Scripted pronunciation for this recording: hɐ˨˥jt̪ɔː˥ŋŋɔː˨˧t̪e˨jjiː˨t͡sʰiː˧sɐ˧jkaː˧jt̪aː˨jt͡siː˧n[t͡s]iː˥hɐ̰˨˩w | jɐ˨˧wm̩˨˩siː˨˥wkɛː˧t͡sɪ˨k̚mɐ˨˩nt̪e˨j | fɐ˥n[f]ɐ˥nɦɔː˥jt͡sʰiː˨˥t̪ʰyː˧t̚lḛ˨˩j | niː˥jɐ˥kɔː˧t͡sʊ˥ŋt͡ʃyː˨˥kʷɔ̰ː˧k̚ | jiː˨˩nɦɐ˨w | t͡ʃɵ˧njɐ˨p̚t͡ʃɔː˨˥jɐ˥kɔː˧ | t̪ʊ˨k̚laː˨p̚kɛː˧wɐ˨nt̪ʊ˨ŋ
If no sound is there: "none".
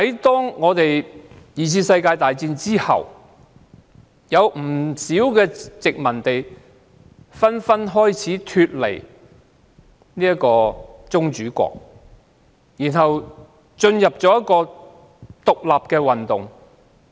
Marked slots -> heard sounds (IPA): t͡s, f

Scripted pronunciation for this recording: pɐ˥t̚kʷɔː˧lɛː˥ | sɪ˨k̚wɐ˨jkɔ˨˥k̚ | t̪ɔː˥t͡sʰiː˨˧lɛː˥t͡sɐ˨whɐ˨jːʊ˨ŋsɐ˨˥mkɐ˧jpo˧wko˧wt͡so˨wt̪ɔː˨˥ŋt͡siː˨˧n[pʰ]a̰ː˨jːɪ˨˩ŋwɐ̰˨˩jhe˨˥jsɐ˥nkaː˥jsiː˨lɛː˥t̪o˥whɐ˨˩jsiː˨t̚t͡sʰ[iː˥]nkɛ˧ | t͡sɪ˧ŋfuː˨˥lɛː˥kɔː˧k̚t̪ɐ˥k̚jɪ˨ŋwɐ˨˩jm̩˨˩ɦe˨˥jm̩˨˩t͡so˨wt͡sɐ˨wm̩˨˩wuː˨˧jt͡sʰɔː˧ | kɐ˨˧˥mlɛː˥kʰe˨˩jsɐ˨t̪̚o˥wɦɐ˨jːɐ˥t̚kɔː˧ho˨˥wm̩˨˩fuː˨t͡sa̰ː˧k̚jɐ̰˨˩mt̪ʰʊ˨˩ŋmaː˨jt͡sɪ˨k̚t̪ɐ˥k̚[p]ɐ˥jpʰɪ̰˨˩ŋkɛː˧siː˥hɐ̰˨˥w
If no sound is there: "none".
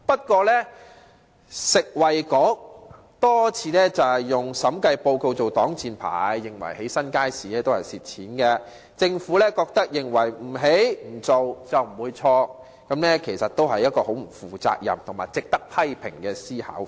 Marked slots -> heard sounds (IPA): pʰ, iː˨˥, pʰ

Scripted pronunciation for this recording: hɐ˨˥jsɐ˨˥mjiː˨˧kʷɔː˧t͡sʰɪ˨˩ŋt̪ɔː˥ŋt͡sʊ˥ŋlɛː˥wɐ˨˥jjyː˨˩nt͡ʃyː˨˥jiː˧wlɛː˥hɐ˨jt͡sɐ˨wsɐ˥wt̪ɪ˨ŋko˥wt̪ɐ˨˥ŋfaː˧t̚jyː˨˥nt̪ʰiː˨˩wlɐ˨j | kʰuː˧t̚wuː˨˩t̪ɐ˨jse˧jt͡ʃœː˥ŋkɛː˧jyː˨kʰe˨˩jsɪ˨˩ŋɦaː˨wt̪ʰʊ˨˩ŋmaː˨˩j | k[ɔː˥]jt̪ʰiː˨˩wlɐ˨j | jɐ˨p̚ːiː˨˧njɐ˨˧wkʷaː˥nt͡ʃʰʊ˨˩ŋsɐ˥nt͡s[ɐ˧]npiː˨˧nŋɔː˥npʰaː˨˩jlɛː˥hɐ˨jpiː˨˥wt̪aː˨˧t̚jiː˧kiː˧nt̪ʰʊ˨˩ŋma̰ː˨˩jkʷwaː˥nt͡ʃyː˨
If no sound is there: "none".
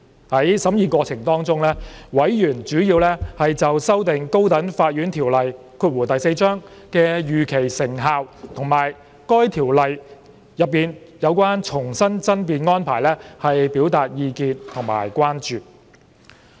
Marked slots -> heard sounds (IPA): ɔː˥, ɐ˥

